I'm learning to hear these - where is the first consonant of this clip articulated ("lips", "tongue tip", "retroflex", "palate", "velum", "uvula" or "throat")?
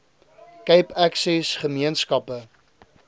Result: velum